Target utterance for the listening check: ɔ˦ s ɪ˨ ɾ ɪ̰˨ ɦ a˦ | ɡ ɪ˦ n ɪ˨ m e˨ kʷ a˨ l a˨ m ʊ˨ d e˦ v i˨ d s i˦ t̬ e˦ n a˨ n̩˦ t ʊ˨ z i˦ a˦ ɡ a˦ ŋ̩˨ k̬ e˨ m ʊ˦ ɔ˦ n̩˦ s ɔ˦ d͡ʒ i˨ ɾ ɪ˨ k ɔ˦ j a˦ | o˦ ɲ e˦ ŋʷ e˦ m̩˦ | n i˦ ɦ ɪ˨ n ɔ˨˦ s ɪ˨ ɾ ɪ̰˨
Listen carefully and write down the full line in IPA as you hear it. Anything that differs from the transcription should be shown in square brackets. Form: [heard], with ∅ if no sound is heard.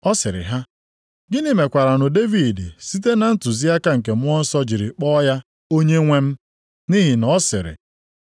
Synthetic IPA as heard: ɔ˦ s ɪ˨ ɾ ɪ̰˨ ɦ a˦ | ɡ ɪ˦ n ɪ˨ m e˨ kʷ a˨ [ɾ] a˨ [n] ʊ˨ d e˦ v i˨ d s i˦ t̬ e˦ n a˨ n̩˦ t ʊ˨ z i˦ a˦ [k] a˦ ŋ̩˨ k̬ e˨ m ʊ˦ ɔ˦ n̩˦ s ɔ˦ d͡ʒ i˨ ɾ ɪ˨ [k͡p] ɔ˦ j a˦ | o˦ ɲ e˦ ŋʷ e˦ m̩˦ | n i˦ ɦ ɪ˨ n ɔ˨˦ s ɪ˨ ɾ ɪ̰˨